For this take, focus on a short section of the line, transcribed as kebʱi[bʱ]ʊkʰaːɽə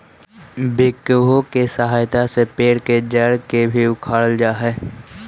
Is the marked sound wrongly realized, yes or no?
yes